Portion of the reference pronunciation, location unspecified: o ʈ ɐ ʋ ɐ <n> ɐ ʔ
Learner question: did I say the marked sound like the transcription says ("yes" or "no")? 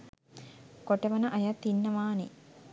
yes